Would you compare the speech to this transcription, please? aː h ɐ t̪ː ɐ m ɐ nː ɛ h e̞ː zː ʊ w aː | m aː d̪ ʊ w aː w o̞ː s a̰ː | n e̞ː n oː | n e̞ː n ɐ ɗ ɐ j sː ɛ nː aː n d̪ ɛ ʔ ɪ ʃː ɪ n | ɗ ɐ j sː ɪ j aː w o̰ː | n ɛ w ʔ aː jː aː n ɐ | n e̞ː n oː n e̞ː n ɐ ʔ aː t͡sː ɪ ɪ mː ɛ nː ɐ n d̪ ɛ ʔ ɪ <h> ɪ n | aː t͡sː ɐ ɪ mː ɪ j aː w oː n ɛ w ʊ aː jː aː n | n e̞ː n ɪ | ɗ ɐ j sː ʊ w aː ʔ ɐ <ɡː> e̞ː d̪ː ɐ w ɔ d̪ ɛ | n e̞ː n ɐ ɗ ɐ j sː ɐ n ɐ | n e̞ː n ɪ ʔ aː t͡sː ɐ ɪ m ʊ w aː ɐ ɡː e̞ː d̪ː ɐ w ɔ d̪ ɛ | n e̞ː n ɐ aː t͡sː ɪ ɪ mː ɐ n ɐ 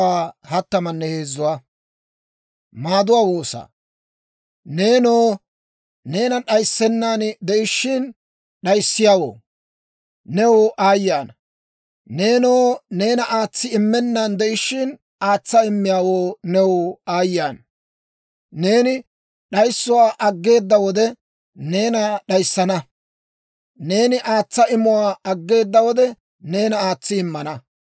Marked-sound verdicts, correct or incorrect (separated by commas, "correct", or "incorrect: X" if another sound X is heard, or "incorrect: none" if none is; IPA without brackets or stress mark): incorrect: ʃ, correct